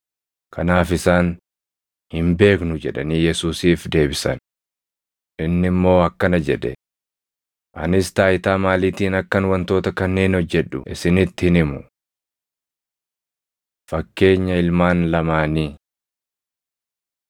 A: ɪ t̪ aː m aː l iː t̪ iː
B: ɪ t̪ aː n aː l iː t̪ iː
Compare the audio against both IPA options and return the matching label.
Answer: A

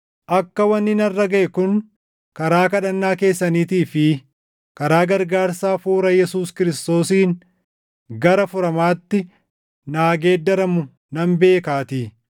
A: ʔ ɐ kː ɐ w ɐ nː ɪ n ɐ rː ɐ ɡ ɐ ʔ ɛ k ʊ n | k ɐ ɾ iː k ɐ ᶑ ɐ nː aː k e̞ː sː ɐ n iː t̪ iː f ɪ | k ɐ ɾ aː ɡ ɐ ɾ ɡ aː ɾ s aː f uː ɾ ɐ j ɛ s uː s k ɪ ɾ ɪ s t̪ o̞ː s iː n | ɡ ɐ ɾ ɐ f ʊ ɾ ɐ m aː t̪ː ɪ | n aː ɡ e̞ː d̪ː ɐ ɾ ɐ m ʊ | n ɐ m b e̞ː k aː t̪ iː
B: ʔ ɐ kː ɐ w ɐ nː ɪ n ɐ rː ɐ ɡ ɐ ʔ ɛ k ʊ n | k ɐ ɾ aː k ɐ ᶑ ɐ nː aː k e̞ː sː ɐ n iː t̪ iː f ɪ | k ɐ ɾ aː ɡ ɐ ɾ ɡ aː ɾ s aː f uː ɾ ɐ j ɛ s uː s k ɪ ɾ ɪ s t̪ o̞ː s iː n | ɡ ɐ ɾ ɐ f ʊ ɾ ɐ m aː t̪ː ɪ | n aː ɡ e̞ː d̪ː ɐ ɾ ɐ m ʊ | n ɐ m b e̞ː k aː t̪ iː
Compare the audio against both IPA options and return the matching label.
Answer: B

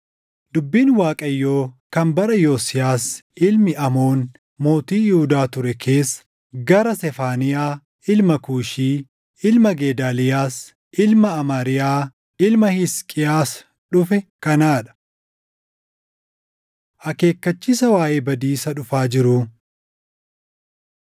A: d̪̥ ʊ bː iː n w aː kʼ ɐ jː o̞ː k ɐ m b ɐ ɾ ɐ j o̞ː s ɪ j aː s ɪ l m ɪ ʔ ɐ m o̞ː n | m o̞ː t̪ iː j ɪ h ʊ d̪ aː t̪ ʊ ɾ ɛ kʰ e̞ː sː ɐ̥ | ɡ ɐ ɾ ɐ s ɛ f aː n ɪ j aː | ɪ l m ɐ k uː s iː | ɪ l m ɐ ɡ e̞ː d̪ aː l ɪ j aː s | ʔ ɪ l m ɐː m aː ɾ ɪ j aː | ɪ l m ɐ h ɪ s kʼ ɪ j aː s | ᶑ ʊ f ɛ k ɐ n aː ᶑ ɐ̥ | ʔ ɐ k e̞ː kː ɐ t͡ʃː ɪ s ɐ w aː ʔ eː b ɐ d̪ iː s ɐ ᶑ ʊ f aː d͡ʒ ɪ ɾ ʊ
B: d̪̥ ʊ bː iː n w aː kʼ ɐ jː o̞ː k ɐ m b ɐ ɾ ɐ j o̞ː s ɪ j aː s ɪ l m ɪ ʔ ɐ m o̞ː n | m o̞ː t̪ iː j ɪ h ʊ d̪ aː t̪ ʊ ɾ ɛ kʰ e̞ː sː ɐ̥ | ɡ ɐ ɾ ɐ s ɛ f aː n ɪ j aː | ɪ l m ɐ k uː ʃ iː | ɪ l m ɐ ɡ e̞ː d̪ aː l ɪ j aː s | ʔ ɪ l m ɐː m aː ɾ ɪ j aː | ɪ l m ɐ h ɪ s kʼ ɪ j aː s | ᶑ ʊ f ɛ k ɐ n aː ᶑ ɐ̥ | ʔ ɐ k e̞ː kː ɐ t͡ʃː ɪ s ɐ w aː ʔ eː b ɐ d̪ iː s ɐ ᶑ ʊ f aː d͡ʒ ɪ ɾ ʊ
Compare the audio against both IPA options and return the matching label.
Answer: B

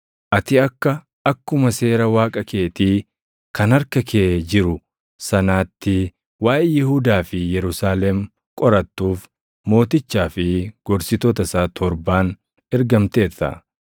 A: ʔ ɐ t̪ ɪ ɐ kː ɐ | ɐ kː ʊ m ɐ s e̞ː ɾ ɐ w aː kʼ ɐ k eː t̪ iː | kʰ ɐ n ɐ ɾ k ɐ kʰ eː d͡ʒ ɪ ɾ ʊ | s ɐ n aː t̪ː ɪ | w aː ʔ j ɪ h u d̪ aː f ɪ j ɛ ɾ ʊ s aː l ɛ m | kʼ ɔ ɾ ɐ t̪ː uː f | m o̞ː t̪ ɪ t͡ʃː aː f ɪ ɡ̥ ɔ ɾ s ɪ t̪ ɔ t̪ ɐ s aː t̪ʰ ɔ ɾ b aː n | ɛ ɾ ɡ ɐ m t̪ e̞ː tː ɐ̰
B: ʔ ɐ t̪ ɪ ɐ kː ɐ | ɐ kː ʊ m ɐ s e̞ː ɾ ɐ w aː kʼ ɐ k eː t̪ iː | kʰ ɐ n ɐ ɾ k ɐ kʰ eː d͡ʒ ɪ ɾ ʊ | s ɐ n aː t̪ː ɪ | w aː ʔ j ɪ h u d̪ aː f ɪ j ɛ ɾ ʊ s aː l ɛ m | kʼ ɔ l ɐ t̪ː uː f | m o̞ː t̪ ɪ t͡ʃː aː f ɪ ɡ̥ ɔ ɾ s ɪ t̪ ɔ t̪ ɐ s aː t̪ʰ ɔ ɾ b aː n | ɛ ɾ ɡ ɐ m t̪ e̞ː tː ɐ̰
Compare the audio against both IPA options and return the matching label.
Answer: A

